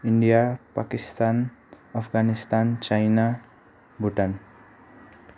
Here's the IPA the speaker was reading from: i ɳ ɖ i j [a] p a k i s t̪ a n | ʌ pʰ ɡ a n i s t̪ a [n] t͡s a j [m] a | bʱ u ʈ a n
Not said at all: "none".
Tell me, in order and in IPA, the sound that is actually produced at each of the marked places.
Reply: a, n, n

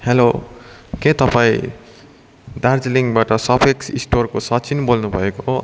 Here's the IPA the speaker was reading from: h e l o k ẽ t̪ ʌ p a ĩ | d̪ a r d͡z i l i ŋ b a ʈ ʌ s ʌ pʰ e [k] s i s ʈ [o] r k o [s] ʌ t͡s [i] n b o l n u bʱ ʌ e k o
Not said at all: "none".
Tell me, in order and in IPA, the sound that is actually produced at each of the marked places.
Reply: k, o, s, i

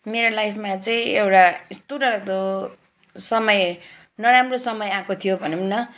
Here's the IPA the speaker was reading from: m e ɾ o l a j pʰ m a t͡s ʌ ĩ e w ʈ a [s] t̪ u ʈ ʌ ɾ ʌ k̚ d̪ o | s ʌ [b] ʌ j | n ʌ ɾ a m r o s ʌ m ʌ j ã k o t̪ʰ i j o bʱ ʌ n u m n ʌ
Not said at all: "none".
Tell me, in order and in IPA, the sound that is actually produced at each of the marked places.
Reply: s, m

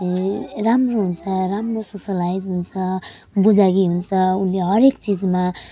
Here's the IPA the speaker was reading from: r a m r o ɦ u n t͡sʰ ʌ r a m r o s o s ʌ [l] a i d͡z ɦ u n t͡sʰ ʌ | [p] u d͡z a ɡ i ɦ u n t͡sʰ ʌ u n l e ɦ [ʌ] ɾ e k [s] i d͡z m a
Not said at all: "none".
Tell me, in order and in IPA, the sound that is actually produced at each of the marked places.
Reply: l, b, ʌ, t͡s

